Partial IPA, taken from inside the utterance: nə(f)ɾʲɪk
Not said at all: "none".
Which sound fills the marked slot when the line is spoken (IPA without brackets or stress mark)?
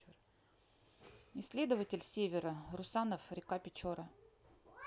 f